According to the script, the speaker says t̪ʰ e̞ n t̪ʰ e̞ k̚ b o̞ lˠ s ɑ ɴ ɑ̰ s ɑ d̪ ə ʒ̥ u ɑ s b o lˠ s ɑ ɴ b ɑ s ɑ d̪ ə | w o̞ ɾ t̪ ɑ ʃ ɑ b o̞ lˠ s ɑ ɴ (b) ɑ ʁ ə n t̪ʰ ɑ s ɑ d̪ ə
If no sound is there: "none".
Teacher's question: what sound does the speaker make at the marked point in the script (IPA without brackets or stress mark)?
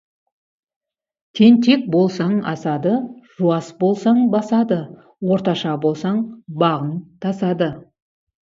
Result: b